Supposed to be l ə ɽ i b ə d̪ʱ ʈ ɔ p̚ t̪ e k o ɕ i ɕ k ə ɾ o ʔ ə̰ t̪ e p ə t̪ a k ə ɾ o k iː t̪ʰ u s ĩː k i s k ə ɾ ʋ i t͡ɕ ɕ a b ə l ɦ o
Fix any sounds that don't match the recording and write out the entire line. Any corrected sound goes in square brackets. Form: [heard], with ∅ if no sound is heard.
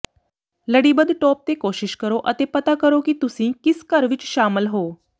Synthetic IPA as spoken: l ə ɽ i b ə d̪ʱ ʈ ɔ p̚ t̪ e k o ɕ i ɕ k ə ɾ o ʔ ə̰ t̪ e p ə t̪ a k ə ɾ o k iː [t̪] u s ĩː k i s k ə ɾ ʋ i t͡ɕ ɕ a [m] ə l ɦ o